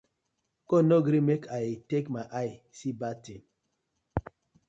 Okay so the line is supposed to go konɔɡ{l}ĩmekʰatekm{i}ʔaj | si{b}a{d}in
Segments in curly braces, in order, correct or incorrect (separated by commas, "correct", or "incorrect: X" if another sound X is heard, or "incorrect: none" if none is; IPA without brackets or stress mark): incorrect: ɾ, incorrect: a, correct, incorrect: t